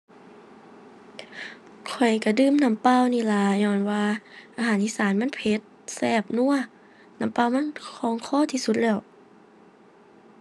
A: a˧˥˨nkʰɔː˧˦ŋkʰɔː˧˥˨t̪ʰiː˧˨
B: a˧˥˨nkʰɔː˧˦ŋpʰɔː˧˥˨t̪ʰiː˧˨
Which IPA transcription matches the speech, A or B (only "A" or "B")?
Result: A